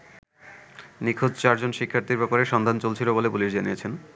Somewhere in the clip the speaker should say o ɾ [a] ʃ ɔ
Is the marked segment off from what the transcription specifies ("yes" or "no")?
yes